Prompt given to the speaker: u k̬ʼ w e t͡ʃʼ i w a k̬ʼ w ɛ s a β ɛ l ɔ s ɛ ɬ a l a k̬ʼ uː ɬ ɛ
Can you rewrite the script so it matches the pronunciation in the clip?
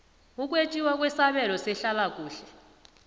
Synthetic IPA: u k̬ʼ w e t͡ʃʼ i w a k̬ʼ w ɛ s a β ɛ l ɔ s ɛ ɬ a l a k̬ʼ uː ɬ ɛ